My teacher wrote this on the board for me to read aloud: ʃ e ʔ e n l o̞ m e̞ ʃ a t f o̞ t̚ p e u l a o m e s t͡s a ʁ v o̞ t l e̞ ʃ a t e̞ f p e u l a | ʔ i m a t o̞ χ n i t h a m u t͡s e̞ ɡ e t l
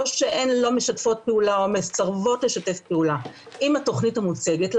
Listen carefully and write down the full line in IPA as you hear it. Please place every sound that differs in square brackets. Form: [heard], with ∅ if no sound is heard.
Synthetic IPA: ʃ e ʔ e n l o̞ m e̞ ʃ a t f o̞ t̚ p e u l a o m e s t͡s a ʁ v o̞ t l e̞ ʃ a t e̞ f p e u l a | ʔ i m a t o̞ χ n i t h a m u t͡s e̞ ɡ e t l